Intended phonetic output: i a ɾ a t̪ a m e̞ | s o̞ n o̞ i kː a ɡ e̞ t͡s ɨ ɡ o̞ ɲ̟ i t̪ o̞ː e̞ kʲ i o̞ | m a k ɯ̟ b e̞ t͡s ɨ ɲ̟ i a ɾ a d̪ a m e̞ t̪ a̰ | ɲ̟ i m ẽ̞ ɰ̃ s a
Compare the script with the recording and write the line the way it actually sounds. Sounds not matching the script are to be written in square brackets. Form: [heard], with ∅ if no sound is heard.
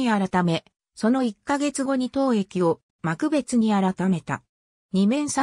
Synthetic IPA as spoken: i a ɾ a t̪ a m e̞ | s o̞ n o̞ i kː a ɡ e̞ t͡s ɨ ɡ o̞ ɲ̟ i t̪ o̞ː e̞ kʲ i o̞ | m a k ɯ̟ b e̞ t͡s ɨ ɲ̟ i a ɾ a [t̪] a m e̞ t̪ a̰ | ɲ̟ i m ẽ̞ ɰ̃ s a